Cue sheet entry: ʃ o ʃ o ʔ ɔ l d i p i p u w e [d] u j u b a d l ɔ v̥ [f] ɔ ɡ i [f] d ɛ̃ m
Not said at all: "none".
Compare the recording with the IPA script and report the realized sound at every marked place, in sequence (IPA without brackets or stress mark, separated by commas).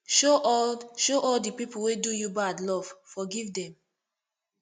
d, f, v